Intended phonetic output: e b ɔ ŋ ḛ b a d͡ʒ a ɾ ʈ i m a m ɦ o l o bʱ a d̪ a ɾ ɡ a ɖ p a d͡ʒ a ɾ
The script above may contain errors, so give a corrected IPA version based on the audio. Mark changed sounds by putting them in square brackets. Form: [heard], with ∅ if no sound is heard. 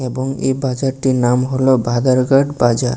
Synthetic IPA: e b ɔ ŋ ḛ b a d͡ʒ a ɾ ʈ i [n] a m ɦ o l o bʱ a d̪ a ɾ ɡ a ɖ [b] a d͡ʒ a ɾ